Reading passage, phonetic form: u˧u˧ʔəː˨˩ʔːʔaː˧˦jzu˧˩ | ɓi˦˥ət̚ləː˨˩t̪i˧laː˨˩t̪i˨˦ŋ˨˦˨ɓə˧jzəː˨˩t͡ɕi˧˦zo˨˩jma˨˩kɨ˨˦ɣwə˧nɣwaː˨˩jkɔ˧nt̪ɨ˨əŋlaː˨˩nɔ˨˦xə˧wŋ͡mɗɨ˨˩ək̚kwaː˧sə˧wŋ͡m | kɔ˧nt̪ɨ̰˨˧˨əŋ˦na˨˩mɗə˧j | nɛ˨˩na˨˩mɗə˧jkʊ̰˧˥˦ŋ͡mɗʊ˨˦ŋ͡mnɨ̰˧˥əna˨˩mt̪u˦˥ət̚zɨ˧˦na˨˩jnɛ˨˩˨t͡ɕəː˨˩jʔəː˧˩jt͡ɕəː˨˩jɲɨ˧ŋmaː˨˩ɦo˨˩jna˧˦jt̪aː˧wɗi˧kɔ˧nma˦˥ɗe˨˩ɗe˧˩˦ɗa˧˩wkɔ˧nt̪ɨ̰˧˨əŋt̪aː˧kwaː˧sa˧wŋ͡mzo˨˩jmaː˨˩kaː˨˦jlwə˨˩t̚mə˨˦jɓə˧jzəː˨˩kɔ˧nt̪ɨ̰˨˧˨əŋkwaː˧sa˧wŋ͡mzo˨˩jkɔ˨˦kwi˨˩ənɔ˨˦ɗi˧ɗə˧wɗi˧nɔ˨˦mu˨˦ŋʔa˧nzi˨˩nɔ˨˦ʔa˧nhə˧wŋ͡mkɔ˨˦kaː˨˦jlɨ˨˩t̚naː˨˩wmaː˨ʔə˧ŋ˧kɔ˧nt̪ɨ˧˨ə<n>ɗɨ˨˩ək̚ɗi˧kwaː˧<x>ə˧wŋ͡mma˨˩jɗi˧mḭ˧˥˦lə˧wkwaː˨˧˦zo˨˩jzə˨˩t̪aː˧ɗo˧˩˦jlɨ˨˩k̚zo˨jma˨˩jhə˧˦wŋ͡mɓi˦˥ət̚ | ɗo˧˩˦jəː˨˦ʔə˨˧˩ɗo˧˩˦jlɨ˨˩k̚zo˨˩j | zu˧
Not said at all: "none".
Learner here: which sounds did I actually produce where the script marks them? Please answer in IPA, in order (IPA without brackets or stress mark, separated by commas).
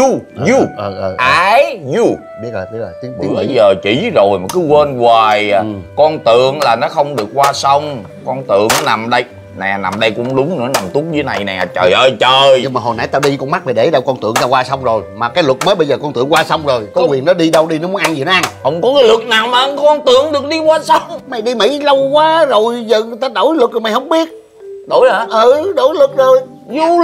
ŋ, s